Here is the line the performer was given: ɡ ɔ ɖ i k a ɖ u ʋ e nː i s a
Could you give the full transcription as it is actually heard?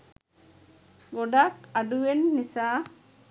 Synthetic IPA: ɡ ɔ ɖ a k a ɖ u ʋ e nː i s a

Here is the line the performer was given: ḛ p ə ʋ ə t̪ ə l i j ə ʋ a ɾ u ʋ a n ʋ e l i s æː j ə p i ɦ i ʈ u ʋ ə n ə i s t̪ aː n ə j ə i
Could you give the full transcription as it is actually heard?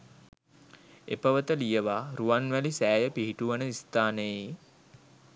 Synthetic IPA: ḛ p ə ʋ ə t̪ ə l i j ə ʋ a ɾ u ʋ a n ʋ æ l i s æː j ə p i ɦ i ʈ u ʋ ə n ə i s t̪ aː n ə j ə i

